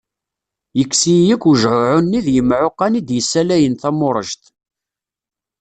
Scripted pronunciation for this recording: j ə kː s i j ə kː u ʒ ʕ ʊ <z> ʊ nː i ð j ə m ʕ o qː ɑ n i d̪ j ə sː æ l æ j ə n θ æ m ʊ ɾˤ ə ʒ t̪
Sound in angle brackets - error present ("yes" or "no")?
yes